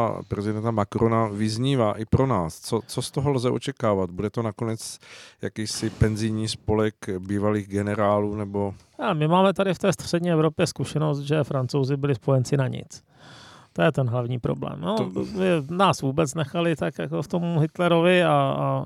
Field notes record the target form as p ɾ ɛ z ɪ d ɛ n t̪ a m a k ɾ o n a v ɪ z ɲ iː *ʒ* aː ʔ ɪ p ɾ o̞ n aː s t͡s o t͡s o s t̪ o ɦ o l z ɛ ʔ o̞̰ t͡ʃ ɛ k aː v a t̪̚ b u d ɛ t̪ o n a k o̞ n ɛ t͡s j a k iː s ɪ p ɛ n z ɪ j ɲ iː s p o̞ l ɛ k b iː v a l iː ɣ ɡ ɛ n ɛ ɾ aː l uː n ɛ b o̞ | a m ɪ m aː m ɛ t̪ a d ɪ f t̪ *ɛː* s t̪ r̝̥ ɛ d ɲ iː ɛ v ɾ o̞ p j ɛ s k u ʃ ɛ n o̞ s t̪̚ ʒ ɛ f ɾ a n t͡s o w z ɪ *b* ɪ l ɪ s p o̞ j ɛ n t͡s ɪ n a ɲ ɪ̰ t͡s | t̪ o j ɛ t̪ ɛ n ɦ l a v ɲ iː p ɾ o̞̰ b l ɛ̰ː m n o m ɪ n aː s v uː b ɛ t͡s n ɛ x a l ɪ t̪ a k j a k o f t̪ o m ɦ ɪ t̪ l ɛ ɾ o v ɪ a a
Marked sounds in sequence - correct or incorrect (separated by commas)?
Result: incorrect, correct, correct